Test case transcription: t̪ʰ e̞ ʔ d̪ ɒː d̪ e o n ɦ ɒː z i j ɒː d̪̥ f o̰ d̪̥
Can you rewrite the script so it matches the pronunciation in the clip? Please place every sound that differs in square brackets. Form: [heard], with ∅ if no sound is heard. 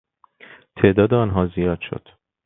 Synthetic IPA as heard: t̪ʰ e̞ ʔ d̪ ɒː d̪ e [ɒ] n ɦ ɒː z i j ɒː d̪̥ [ʃ] o̰ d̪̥